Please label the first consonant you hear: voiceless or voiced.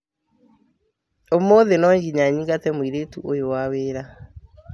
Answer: voiced